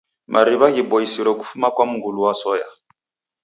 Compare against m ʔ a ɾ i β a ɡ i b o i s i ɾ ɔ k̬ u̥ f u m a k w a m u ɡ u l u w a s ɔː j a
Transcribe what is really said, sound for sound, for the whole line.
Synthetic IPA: m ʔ a ɾ i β a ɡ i b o i s i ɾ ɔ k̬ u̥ f u m a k w a m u ɡ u l u w a s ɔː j a